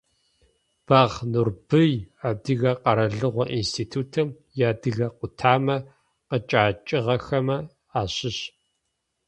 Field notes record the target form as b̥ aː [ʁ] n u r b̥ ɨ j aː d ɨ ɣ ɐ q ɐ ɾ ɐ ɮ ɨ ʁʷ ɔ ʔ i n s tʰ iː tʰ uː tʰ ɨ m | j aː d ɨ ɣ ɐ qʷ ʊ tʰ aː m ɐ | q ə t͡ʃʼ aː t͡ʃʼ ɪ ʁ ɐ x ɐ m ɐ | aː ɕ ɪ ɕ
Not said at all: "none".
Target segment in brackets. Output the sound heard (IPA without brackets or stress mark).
ʁ